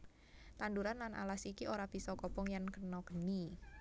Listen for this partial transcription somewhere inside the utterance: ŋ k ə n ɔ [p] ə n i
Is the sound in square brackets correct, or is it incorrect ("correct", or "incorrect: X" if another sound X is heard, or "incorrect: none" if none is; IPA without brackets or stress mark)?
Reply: incorrect: k